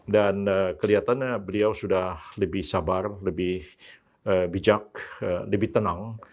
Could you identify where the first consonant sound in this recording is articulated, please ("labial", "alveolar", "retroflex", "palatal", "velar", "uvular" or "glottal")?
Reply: alveolar